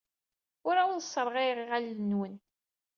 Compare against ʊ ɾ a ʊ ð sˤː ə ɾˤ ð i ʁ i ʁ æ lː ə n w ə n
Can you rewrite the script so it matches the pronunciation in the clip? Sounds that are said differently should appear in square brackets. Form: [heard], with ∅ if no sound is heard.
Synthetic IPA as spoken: ʊ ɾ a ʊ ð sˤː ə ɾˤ [ʁ] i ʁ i ʁ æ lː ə n w ə n